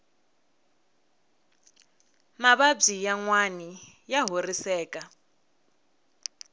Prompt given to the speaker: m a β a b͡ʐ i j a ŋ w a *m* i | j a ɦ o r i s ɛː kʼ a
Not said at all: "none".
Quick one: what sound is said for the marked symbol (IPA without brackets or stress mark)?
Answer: n